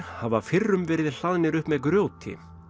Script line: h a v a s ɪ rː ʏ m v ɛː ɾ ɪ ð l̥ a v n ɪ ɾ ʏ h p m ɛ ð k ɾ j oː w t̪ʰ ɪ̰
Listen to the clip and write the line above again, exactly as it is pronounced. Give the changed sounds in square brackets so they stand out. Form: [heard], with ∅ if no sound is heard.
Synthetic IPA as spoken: h a v a [f] ɪ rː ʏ m v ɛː ɾ ɪ ð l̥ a [ð] n ɪ ɾ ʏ h p m ɛ ð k ɾ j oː w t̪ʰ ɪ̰